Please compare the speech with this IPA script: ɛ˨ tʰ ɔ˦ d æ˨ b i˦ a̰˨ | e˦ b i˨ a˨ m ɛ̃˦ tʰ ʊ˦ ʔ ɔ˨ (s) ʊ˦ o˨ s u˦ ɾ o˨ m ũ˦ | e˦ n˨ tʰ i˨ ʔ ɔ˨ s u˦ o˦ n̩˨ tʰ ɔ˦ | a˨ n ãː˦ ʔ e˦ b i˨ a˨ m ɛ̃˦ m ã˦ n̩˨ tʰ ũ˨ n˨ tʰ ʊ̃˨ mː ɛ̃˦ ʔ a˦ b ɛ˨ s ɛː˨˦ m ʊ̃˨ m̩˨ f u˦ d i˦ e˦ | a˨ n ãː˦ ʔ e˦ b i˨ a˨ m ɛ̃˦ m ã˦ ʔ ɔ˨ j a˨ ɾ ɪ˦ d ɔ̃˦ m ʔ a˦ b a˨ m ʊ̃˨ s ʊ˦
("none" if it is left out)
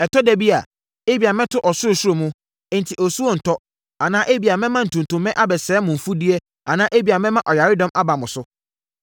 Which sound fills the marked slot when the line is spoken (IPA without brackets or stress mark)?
s